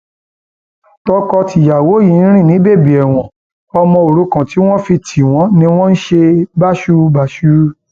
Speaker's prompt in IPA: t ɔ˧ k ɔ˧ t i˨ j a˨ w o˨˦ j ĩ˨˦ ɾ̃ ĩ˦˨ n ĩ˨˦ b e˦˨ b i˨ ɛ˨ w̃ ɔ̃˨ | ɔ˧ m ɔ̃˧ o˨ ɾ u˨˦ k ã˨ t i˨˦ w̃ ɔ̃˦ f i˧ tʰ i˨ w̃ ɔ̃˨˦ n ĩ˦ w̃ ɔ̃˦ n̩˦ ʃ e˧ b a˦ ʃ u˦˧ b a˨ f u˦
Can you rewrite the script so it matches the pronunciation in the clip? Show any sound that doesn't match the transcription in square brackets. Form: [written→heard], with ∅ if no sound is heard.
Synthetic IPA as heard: t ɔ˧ k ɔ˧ t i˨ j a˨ w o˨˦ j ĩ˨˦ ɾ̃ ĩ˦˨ n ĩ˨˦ b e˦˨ b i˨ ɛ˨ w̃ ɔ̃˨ | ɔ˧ m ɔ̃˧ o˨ ɾ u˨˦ k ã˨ t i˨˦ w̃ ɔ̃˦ f i˧ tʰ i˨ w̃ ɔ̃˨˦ n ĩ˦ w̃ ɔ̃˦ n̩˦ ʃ e˧ b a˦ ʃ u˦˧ b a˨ [f→ʃ] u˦